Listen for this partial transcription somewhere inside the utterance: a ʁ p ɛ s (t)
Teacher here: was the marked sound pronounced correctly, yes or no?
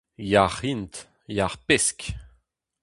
no